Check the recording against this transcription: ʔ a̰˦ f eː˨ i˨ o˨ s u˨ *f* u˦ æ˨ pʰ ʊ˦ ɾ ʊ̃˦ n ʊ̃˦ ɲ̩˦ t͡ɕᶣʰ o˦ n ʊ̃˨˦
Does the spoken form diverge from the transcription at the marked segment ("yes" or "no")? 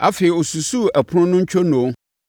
yes